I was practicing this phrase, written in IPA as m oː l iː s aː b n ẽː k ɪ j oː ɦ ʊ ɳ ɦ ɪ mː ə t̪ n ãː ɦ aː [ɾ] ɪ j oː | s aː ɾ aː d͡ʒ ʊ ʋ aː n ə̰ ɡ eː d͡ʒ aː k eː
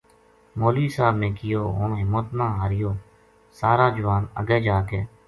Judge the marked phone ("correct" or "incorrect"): correct